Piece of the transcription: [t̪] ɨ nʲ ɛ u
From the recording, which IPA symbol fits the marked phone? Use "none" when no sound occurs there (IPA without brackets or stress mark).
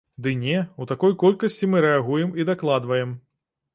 d̪